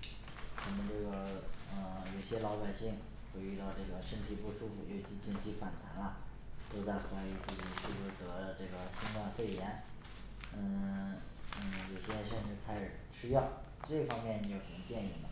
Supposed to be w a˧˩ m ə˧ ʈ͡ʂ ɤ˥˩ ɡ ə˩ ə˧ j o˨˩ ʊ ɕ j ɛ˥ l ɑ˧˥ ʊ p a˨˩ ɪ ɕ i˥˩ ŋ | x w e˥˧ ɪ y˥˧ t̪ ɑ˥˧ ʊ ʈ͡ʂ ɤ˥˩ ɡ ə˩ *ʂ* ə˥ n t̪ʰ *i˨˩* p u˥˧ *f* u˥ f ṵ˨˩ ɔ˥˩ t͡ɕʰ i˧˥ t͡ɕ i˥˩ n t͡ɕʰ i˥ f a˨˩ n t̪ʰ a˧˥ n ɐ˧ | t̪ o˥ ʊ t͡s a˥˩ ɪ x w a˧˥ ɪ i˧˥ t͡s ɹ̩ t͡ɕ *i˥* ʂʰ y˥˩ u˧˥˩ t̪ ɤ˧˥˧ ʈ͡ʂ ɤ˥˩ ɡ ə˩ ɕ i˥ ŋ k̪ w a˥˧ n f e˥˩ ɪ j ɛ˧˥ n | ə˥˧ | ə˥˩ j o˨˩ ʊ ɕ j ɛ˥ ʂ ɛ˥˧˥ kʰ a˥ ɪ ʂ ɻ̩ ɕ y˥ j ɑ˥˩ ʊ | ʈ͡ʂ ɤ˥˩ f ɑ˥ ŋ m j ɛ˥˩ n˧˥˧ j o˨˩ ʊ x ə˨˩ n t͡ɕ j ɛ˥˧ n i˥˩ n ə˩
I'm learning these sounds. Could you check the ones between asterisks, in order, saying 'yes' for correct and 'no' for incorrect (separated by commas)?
yes, yes, no, no